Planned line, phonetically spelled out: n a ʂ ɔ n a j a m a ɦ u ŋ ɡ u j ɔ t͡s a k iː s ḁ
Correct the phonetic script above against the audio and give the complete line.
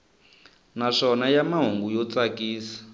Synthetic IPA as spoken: n a ʂ ɔ n a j a m a ɦ u ŋ ɡ u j ɔ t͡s a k iː s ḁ